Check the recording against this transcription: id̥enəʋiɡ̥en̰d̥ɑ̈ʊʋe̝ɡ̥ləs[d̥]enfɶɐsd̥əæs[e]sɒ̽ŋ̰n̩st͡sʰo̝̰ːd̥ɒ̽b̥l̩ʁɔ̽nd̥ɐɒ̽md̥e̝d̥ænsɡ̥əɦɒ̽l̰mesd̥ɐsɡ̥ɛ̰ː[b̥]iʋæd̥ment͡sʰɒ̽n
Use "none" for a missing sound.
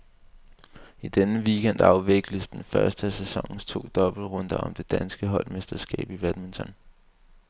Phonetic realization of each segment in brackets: d̥, e, b̥

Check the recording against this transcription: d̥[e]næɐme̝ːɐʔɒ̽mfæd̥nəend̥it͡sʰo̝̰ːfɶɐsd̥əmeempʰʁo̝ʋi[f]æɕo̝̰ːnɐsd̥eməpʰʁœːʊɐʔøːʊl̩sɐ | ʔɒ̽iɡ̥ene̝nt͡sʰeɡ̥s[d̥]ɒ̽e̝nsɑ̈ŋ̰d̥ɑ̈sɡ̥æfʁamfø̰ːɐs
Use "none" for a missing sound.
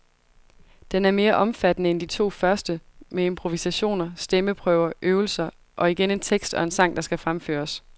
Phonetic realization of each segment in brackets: e, s, d̥

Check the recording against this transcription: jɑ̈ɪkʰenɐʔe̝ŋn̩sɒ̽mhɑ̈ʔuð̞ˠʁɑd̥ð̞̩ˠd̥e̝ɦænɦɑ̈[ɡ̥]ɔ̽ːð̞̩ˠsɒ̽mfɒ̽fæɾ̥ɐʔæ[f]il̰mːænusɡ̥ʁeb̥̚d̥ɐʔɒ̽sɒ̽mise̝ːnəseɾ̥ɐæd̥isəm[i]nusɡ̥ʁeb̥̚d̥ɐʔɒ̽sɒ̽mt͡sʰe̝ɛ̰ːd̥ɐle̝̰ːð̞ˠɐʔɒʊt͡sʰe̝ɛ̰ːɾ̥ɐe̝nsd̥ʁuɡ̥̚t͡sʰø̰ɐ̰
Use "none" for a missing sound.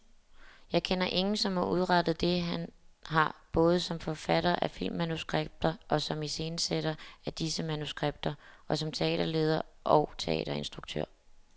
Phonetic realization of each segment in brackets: b̥, f, æ

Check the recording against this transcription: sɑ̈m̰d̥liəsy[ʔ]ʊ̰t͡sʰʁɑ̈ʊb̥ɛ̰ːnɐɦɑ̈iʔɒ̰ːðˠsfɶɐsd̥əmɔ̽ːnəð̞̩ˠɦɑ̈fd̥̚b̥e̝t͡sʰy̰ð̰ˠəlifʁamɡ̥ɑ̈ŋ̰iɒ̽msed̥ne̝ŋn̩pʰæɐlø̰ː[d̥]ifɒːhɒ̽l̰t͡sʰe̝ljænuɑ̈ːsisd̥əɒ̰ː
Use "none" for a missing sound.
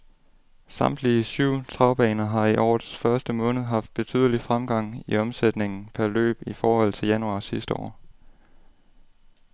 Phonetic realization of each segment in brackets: none, b̥

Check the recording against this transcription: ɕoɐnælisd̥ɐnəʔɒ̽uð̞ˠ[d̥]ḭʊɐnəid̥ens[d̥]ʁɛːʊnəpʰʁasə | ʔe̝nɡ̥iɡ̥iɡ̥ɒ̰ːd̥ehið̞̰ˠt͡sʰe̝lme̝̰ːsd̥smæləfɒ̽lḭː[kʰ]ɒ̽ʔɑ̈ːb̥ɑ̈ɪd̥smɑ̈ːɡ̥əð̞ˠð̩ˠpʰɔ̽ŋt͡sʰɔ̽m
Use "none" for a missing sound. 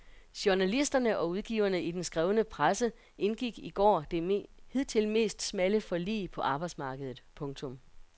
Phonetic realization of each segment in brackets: ɡ̥, ɡ̥, pʰ

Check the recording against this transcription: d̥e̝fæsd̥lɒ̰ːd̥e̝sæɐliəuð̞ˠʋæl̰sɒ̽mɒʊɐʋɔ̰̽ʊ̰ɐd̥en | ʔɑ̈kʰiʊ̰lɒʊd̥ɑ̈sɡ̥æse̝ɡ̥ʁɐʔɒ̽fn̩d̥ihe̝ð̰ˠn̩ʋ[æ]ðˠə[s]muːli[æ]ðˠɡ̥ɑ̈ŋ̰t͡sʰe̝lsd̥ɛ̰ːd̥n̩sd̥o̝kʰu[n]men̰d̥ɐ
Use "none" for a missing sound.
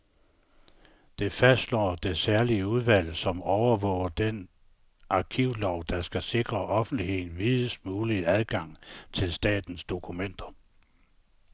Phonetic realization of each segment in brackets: i, s, æ, none

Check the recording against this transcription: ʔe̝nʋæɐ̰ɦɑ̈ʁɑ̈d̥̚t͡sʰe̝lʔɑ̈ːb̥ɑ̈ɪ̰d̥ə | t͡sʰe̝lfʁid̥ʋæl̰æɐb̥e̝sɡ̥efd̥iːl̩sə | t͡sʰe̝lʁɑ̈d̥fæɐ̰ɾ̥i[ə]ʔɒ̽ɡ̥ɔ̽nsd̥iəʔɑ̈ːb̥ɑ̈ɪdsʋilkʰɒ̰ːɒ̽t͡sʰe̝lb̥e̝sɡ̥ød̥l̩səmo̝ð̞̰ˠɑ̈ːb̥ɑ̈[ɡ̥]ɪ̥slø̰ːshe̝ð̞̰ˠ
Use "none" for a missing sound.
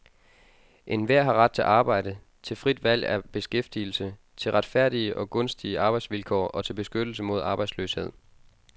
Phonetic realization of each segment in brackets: ə, none

